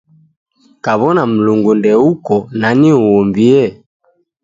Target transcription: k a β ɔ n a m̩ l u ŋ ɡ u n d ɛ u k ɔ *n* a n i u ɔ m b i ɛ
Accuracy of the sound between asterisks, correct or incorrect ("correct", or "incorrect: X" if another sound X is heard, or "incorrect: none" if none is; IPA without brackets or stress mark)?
correct